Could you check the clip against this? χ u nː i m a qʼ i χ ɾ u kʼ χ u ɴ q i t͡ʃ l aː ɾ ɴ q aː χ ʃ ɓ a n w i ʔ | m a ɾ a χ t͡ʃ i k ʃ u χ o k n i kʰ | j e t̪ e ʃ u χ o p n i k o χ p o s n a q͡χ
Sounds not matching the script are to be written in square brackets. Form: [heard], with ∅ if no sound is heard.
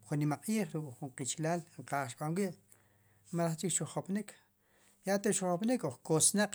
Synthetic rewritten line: χ u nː i m a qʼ [iː] χ ɾ u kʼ χ u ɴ q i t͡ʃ l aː [l] ɴ q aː χ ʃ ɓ a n w i ʔ | m a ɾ a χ t͡ʃ i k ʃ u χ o [p] n i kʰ | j [a] t̪ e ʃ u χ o p n i k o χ [k] o s n a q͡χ